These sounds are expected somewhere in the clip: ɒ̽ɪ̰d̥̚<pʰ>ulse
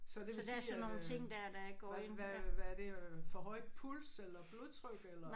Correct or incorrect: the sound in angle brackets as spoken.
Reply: correct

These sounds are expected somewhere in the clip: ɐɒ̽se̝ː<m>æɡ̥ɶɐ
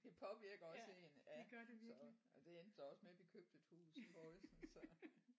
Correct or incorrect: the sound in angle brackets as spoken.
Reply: incorrect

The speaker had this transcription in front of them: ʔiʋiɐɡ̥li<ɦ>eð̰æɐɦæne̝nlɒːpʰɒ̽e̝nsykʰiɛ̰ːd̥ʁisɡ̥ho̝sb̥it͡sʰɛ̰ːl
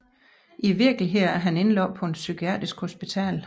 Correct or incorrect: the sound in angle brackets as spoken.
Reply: correct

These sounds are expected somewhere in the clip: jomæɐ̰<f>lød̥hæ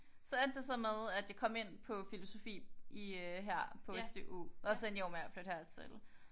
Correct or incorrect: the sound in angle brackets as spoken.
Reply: correct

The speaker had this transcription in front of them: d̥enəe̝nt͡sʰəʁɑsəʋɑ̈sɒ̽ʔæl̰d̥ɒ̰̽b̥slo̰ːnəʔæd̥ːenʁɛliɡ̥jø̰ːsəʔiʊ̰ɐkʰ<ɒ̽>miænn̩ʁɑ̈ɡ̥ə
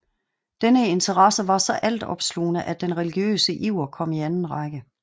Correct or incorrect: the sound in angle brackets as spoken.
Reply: correct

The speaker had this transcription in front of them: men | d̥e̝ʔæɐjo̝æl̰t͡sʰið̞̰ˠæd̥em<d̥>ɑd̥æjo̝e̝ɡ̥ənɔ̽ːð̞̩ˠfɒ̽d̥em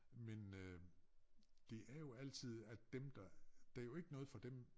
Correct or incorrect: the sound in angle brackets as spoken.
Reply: correct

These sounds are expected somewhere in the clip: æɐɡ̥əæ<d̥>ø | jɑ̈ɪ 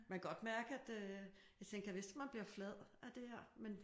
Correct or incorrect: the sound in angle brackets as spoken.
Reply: correct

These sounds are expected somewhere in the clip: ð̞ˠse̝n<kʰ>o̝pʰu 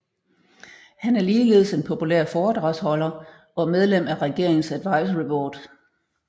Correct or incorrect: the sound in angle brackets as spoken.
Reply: incorrect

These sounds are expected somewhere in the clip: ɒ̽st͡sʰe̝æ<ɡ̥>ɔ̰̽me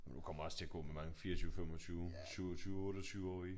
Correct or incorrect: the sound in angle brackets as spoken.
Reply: correct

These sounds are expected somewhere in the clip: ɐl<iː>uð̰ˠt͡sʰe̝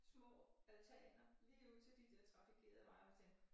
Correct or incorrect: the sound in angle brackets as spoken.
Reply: correct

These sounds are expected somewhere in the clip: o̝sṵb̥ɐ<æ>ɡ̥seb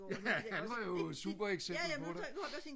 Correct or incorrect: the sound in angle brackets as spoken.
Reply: incorrect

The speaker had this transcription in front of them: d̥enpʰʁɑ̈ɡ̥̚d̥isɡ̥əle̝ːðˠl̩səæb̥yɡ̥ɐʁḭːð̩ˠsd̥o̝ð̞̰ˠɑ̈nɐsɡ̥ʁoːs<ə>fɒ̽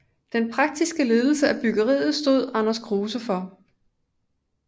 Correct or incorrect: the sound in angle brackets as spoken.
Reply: correct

